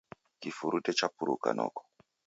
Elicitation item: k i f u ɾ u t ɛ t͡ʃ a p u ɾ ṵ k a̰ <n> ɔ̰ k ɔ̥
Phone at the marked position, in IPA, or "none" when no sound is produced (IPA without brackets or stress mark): n